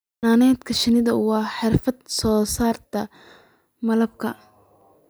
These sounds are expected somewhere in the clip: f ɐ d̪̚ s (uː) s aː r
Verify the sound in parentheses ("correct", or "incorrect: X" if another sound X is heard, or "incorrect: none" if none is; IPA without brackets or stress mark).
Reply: incorrect: ɔː